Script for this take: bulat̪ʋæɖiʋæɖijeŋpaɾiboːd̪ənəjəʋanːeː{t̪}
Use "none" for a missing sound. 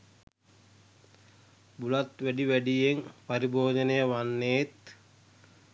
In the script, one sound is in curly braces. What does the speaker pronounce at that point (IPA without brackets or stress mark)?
t̪